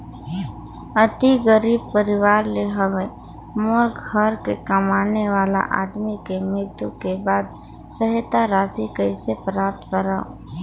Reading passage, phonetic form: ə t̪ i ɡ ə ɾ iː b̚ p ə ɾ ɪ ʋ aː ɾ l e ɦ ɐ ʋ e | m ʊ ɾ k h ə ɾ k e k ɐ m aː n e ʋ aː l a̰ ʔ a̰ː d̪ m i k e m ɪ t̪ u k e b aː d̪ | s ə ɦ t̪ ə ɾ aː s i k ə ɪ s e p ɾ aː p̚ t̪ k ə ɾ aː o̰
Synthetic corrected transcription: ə t̪ i ɡ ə ɾ iː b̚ p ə ɾ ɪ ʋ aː ɾ l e ɦ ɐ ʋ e | m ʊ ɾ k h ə ɾ k e k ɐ m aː n e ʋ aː l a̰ ʔ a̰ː d̪ m i k e m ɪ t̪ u k e b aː d̪ | s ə ɦ t̪ a ɾ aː s i k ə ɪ s e p ɾ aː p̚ t̪ k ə ɾ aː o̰